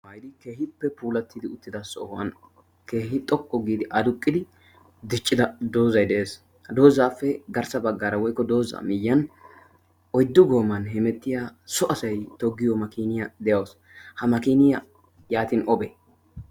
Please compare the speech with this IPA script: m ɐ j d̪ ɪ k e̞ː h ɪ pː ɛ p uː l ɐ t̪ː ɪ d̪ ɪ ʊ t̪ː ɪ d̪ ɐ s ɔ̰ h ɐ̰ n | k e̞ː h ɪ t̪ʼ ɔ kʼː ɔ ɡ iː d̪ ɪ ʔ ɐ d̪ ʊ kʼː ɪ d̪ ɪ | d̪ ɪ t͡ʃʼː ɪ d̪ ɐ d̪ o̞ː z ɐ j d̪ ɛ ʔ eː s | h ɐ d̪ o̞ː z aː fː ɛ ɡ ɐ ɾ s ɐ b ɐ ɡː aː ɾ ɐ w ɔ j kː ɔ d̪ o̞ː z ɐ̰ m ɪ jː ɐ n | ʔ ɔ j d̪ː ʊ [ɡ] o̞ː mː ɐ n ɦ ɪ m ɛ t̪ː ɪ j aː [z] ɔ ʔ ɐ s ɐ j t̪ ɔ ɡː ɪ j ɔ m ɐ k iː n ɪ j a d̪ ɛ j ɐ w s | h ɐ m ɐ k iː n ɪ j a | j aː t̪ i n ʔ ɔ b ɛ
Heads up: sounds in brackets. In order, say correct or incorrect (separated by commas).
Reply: correct, incorrect